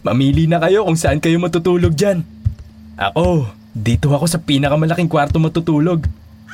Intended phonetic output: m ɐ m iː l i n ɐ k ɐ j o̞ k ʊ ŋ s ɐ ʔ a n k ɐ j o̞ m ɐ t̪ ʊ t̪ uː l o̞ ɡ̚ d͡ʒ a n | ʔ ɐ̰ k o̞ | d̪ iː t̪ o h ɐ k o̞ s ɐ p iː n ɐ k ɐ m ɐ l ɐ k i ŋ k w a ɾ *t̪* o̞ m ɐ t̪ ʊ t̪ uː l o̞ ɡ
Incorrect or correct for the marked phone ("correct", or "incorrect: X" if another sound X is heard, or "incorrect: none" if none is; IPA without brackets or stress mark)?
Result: correct